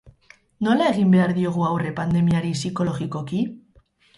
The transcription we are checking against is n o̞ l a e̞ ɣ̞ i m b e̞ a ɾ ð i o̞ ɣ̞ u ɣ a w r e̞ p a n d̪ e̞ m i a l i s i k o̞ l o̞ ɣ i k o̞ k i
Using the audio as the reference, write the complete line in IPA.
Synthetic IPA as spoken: n o̞ l a e̞ ɣ̞ i m b e̞ a ɾ ð i o̞ ɣ̞ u a w r e̞ p a n d̪ e̞ m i a ɾ i s i k o̞ l o̞ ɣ i k o̞ k i